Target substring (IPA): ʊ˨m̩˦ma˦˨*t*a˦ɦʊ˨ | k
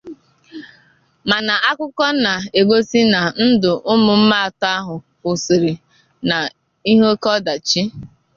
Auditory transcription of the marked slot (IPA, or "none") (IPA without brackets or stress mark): t